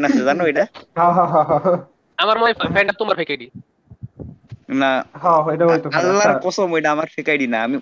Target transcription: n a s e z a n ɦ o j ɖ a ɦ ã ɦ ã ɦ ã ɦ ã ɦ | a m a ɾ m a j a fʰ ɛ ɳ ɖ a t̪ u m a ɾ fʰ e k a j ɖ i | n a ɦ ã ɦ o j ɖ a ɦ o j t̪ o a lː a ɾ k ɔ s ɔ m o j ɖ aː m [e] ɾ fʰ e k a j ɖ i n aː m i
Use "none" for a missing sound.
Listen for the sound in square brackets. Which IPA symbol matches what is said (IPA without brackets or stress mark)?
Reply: a